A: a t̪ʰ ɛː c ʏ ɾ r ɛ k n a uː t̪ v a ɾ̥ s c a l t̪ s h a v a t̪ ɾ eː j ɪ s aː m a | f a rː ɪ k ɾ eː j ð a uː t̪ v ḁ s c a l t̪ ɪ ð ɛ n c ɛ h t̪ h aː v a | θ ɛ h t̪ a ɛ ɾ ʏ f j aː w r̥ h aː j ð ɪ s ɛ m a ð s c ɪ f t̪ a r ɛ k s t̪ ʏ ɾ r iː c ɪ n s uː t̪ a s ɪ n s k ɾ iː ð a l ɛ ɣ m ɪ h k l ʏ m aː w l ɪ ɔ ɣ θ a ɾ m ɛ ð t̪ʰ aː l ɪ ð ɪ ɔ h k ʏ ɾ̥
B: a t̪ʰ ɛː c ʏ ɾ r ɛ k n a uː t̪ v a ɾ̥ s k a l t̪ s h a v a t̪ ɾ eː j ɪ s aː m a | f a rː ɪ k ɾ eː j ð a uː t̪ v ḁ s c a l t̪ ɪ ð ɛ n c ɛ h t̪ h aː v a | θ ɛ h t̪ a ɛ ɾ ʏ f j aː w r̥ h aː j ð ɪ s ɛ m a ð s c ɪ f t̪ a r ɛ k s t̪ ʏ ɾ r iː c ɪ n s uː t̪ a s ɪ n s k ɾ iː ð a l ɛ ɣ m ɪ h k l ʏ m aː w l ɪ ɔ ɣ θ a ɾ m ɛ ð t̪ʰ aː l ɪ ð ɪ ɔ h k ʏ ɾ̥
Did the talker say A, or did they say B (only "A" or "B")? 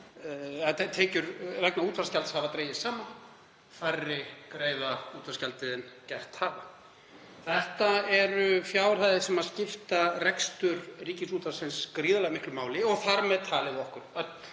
A